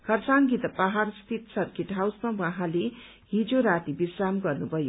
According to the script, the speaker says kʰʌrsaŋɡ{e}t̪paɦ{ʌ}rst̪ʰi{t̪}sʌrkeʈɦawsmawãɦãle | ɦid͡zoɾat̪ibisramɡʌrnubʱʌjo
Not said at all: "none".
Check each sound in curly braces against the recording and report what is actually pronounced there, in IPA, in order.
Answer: i, a, t̪

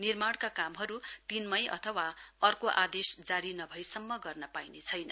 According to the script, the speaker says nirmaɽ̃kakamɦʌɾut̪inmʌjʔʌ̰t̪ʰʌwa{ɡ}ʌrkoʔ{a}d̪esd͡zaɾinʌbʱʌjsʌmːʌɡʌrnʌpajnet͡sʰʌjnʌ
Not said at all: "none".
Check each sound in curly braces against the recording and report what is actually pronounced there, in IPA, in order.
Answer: none, a

